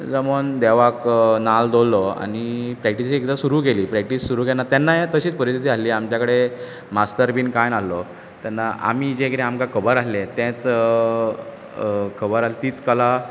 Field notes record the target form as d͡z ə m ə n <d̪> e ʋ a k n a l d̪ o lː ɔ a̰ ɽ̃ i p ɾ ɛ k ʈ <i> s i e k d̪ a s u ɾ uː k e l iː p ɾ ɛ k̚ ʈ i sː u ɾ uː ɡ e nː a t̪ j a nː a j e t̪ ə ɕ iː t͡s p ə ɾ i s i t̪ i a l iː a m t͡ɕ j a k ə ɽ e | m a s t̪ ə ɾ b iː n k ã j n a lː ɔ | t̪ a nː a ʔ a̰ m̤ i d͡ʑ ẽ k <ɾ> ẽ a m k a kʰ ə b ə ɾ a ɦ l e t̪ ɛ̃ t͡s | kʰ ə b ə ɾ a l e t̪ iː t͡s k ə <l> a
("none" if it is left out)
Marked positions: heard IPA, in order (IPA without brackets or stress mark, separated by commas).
d̪, i, ɾ, l